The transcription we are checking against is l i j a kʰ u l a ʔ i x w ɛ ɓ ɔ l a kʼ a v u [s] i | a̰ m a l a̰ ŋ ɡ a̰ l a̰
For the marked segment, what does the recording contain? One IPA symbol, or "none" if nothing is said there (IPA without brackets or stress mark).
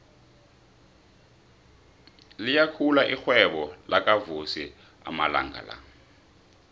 s